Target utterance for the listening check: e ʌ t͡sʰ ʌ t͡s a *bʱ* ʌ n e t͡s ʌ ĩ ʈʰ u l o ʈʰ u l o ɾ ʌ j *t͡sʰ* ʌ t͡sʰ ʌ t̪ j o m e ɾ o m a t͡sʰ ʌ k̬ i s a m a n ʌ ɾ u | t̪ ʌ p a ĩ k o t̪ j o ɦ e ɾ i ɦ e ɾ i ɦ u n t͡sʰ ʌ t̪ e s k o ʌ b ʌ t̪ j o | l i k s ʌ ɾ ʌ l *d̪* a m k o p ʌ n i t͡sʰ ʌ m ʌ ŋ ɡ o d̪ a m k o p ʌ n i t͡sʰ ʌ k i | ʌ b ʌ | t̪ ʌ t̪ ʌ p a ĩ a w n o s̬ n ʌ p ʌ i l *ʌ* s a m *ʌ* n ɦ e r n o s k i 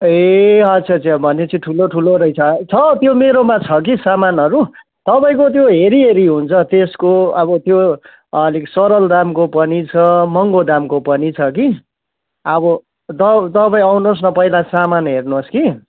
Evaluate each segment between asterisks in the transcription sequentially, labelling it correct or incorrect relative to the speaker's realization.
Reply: correct, correct, correct, incorrect: a, incorrect: a

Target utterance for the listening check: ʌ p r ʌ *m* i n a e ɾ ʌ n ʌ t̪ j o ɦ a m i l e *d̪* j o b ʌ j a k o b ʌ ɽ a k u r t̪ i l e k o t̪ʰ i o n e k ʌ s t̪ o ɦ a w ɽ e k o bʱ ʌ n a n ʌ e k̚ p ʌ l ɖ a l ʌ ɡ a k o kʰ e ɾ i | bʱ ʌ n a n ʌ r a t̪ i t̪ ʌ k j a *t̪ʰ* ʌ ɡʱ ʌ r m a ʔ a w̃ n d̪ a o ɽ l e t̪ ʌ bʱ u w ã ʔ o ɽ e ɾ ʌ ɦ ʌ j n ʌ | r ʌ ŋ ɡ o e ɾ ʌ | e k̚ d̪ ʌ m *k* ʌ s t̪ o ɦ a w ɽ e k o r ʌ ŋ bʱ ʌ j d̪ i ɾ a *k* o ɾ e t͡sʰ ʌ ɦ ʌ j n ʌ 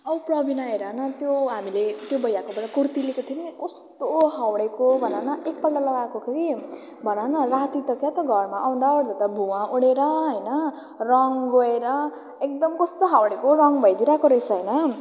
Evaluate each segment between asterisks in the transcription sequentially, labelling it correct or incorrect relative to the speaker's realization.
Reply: incorrect: b, incorrect: t̪, incorrect: t̪, correct, correct

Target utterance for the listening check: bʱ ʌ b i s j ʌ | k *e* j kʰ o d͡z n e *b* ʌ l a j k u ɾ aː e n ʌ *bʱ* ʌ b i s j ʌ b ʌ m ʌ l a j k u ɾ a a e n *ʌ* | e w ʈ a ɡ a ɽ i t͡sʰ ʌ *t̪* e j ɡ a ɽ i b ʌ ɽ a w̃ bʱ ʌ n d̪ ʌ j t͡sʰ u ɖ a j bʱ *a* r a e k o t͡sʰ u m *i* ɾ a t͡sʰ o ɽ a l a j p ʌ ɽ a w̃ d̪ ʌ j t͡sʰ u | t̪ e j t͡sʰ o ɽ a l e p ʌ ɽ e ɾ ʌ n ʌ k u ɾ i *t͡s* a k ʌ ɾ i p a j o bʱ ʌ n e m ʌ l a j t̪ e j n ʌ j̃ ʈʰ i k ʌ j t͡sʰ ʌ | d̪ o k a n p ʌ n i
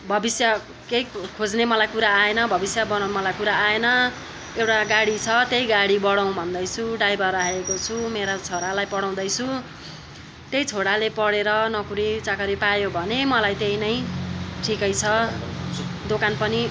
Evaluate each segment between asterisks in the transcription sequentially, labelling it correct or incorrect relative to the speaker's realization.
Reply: correct, incorrect: m, correct, correct, correct, incorrect: ʌ, incorrect: e, correct

